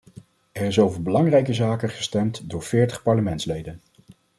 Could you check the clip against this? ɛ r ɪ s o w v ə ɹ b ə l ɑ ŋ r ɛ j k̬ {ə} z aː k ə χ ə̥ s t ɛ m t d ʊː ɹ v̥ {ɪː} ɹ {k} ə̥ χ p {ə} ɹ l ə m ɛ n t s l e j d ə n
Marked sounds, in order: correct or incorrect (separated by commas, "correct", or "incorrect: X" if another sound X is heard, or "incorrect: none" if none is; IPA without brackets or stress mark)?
correct, correct, incorrect: t, incorrect: ɑ